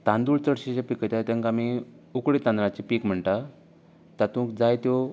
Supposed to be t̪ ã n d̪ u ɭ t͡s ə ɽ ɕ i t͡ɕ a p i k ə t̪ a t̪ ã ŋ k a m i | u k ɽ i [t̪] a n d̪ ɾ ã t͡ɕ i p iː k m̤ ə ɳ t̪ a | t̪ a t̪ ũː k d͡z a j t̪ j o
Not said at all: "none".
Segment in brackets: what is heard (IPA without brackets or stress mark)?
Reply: t̪